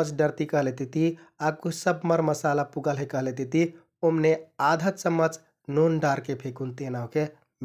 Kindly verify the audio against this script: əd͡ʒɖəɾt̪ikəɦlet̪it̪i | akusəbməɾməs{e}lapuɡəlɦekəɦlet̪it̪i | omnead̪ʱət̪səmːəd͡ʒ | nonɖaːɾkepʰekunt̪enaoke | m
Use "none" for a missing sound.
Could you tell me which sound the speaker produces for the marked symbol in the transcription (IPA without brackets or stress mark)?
a